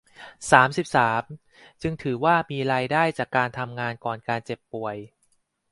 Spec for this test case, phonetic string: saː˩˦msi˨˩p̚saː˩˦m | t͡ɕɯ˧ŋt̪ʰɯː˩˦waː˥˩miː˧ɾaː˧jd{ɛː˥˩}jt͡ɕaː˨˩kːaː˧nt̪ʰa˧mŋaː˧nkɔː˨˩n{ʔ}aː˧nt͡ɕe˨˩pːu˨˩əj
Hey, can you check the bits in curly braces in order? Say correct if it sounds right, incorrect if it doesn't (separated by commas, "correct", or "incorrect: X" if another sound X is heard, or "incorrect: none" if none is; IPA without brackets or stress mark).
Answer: incorrect: aː˥˩, incorrect: k